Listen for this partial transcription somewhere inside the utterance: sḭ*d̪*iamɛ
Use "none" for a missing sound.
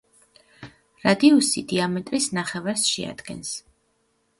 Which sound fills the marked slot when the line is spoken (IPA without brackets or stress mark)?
d̪